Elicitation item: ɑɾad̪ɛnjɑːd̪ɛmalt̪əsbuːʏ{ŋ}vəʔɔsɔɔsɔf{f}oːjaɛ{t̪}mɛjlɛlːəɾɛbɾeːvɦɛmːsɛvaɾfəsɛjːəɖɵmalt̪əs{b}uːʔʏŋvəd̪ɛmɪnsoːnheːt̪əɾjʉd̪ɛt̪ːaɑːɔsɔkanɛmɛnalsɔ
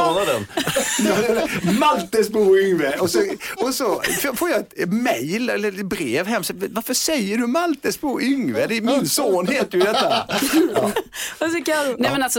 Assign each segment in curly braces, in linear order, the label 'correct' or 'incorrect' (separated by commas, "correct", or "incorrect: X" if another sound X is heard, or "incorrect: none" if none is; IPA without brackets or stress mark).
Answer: correct, correct, correct, correct